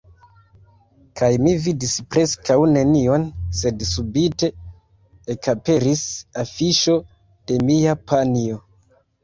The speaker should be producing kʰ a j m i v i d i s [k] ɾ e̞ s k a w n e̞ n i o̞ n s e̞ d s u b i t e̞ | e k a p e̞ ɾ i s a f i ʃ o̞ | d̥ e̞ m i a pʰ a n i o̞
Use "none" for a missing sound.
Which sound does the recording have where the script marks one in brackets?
p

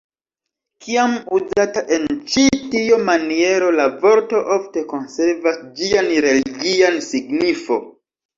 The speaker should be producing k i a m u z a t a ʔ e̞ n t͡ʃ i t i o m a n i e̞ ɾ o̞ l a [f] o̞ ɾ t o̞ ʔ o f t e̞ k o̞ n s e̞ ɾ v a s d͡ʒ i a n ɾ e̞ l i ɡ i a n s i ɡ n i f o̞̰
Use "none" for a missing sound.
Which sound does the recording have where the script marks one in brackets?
v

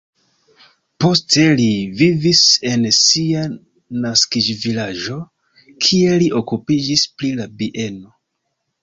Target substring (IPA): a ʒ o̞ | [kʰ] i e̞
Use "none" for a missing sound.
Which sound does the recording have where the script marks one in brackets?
kʰ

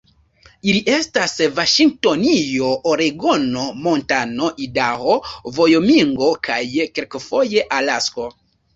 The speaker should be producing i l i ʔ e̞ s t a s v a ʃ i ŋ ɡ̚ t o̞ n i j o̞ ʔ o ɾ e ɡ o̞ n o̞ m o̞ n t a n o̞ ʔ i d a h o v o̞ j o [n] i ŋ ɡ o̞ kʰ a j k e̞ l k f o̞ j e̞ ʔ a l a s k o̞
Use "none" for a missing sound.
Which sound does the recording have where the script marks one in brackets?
m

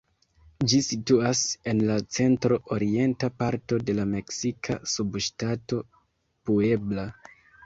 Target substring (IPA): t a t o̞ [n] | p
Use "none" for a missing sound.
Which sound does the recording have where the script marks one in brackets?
none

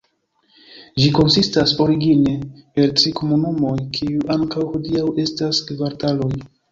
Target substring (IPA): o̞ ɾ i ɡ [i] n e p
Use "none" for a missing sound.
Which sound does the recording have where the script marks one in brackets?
i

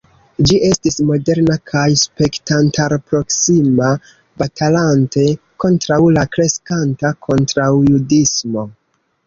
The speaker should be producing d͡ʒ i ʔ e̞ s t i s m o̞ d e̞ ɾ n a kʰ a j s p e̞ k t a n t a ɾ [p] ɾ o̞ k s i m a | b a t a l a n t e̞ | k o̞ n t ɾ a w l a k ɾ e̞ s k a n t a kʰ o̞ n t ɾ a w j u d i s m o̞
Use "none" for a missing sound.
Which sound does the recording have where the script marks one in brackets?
p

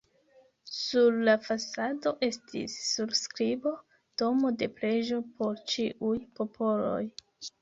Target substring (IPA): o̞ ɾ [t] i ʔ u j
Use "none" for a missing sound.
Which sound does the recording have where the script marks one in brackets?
t͡ʃ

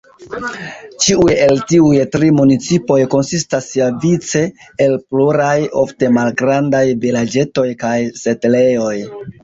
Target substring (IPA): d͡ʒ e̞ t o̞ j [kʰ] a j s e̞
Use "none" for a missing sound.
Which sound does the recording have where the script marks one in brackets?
k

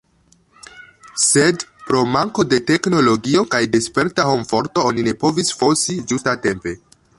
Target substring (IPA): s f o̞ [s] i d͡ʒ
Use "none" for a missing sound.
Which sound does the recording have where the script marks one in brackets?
s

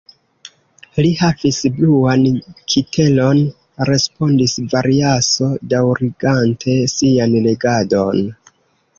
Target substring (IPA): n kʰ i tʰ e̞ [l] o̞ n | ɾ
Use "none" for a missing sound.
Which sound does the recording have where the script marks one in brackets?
l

